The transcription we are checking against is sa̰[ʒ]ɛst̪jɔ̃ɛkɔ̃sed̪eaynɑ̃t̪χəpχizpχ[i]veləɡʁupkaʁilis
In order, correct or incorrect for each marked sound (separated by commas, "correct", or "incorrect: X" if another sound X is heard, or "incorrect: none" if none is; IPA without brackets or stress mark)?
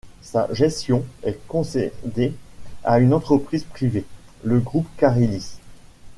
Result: correct, correct